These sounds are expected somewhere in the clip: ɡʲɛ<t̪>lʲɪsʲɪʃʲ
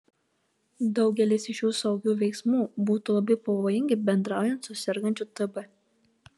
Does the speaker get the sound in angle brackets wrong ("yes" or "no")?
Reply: yes